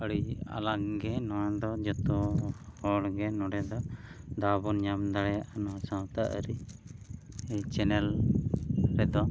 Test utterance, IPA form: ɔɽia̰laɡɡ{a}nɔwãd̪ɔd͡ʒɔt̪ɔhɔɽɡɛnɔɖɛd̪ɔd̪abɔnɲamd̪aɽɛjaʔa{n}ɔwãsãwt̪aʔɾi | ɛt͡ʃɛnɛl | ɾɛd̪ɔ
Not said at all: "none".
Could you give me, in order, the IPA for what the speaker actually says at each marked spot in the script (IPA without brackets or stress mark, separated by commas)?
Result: ɛ, n